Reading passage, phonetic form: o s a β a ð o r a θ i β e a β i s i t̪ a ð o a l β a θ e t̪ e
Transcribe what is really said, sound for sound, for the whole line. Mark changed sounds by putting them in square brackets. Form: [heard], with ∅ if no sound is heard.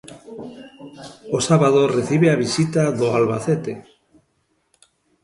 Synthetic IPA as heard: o s a β a ð o r [e] θ i β e a β i s i t̪ a ð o a l β a θ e t̪ e